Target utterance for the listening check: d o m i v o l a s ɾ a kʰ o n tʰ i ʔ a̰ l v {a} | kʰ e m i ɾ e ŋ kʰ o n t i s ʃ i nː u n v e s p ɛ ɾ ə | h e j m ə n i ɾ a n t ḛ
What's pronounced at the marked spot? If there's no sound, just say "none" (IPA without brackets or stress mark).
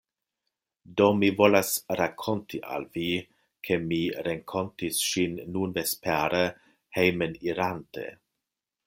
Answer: i